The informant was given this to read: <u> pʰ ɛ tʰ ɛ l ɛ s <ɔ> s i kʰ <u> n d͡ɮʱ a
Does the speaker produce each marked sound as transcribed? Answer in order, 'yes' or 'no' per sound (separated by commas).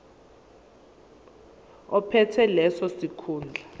no, yes, no